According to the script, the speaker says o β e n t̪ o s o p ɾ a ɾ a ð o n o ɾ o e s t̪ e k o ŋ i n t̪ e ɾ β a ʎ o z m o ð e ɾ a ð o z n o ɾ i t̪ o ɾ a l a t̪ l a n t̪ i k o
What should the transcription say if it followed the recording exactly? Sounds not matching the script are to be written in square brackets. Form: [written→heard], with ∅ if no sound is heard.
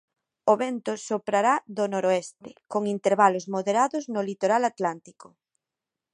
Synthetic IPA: o β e n t̪ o s o p ɾ a ɾ a ð o n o ɾ o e s t̪ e k o ŋ i n t̪ e ɾ β a [ʎ→l] o z m o ð e ɾ a ð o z n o [ɾ→l] i t̪ o ɾ a l a t̪ l a n t̪ i k o

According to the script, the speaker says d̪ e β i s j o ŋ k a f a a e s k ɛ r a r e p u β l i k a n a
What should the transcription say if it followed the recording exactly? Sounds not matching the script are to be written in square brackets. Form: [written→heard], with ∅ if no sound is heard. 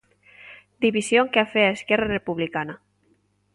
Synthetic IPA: d̪ [e→i] β i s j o ŋ k a f [a→e] a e s k ɛ r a r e p u β l i k a n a

